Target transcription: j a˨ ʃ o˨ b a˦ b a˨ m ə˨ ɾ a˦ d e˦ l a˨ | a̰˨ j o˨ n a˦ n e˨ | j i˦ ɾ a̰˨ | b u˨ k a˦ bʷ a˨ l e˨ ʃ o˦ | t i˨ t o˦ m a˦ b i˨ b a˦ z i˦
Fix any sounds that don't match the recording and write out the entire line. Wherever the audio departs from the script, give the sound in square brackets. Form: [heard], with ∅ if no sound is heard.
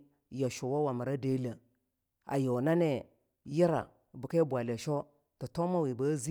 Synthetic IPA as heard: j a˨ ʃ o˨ [w] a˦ [w] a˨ m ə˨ ɾ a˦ d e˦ l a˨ | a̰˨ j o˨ n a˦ n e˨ | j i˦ ɾ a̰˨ | b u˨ k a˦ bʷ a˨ l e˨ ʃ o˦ | t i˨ t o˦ m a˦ [w] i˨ b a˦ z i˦

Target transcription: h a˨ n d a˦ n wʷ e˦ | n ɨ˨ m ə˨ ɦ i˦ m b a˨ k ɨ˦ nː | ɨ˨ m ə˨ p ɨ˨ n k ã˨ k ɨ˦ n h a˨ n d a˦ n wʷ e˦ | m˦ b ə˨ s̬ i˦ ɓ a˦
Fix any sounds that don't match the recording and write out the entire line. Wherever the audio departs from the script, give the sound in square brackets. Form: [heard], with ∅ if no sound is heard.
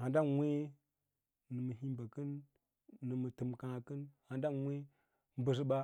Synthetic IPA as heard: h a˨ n d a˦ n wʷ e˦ | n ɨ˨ m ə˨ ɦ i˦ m b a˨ k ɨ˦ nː | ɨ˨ m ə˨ [t] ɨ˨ [m] k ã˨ k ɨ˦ n h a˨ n d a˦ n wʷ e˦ | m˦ b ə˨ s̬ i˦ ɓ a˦

